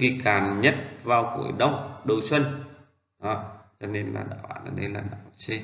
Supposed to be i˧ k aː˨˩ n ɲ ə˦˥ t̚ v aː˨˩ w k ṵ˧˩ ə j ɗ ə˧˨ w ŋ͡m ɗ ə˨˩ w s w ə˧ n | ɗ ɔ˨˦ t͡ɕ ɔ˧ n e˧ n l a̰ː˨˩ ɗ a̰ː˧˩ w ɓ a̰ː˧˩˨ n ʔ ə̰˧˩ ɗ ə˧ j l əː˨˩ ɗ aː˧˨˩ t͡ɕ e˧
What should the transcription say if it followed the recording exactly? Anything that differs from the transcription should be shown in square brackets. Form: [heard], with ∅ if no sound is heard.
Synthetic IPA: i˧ k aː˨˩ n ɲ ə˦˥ t̚ v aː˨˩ w k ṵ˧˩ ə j ɗ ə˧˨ w ŋ͡m ɗ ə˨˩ w s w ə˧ n | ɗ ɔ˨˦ t͡ɕ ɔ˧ n e˧ n l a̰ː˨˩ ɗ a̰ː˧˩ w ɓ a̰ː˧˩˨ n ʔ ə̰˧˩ ɗ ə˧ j l [aː˨˩] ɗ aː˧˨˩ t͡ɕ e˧

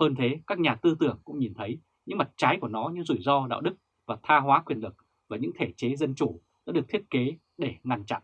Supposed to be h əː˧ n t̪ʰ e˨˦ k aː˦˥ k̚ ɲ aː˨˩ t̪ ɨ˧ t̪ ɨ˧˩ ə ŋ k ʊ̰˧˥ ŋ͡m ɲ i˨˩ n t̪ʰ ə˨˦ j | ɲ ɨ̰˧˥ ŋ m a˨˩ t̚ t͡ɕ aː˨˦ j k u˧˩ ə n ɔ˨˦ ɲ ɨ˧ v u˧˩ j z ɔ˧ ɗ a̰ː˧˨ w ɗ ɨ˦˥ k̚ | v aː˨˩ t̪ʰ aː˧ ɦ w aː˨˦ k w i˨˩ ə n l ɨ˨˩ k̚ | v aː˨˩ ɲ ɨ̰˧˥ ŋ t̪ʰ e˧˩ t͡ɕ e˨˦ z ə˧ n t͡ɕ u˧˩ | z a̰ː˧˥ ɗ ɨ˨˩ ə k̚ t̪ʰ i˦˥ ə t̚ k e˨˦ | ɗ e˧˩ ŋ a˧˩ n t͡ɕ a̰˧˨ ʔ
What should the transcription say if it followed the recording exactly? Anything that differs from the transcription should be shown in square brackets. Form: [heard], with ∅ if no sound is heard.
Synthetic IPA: h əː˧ n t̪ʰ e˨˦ k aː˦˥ k̚ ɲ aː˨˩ t̪ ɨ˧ t̪ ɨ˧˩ ə ŋ k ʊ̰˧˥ ŋ͡m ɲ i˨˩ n t̪ʰ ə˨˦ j | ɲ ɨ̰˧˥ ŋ m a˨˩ t̚ t͡ɕ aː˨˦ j k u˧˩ ə n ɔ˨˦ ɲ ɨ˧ [z] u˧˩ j z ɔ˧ ɗ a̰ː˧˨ w ɗ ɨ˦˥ k̚ | v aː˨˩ t̪ʰ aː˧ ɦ w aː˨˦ k w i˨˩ ə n l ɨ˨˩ k̚ | v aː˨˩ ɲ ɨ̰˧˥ ŋ t̪ʰ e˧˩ t͡ɕ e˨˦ z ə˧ n t͡ɕ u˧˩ | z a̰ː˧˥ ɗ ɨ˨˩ ə k̚ t̪ʰ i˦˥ ə t̚ k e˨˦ | ɗ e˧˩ ŋ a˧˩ n t͡ɕ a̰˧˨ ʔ

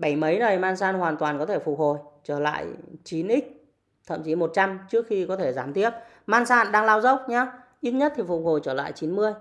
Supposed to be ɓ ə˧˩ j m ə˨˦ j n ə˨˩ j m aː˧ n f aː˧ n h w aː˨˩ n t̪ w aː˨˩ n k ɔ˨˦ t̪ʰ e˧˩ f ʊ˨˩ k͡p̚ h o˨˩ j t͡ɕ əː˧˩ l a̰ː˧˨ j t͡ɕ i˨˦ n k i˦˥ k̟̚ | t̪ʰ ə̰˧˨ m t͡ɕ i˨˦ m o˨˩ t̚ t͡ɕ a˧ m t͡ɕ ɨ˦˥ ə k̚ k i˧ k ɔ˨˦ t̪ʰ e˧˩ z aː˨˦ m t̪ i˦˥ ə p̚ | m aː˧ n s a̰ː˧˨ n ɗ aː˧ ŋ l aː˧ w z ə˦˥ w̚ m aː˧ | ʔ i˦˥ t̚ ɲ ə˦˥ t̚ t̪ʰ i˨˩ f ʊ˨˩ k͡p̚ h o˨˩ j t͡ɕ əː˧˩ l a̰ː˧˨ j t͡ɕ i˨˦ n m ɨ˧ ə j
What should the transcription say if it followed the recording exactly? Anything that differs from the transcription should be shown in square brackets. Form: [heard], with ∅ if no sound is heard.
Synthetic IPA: ɓ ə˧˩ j m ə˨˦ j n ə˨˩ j m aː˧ n [s] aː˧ n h w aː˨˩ n t̪ w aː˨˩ n k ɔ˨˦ t̪ʰ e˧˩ f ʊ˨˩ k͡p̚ h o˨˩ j t͡ɕ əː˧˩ l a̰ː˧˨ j t͡ɕ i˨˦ n [ʔ] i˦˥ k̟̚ | t̪ʰ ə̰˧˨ m t͡ɕ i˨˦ m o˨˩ t̚ t͡ɕ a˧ m t͡ɕ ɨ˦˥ ə k̚ [x] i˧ k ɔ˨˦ t̪ʰ e˧˩ z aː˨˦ m t̪ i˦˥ ə p̚ | m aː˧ n s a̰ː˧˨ n ɗ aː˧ ŋ l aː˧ w z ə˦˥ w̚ [ɲ] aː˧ | ʔ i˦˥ t̚ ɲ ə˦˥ t̚ t̪ʰ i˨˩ f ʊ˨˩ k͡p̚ h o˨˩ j t͡ɕ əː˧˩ l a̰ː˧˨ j t͡ɕ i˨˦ n m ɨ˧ ə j

